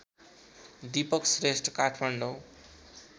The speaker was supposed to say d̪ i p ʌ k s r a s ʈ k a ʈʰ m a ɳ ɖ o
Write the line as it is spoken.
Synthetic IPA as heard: d̪ i p ʌ k s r e s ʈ k a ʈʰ m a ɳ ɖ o